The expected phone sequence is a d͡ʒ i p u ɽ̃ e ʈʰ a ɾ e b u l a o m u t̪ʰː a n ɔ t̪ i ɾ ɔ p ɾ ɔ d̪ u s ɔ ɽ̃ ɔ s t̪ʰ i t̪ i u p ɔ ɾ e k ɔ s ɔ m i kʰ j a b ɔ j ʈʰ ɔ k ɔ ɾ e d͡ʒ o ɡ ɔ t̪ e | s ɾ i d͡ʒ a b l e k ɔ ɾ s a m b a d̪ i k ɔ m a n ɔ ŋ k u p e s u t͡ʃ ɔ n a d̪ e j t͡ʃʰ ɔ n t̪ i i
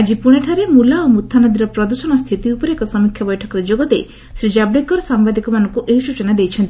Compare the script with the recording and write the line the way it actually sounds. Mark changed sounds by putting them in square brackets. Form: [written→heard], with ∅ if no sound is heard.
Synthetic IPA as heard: a d͡ʒ i p u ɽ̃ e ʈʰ a ɾ e [b→m] u l a o m u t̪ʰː a n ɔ [t̪→d̪] i ɾ ɔ p ɾ ɔ d̪ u s ɔ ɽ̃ ɔ s t̪ʰ i t̪ i u p ɔ ɾ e k ɔ s ɔ m i kʰ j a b ɔ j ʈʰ ɔ k ɔ ɾ e d͡ʒ o ɡ ɔ t̪ e | s ɾ i d͡ʒ a b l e k ɔ ɾ s a m b a d̪ i k ɔ m a n ɔ ŋ k u [p→ʔ] e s u t͡ʃ ɔ n a d̪ e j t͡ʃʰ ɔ n t̪ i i